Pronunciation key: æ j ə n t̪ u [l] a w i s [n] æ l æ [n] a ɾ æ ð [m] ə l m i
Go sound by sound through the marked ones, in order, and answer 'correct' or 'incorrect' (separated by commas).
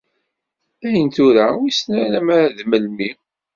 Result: incorrect, correct, incorrect, correct